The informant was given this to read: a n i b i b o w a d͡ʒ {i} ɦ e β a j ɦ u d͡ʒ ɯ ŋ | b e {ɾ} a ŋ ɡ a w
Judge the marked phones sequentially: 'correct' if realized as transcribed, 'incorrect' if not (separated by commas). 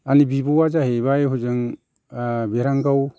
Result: incorrect, correct